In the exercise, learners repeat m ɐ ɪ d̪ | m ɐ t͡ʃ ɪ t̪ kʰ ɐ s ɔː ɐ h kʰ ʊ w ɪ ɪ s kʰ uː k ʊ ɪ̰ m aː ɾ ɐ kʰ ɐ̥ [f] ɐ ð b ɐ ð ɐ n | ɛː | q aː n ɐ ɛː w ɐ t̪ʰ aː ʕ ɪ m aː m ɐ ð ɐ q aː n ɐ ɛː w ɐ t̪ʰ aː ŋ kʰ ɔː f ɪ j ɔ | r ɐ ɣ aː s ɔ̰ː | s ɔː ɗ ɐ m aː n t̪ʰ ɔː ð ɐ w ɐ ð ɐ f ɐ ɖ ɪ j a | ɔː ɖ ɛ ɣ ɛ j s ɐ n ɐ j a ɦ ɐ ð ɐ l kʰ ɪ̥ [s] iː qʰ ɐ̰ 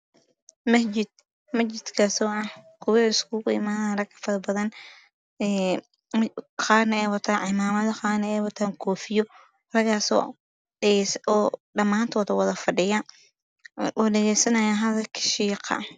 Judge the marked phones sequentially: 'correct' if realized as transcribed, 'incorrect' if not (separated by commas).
correct, incorrect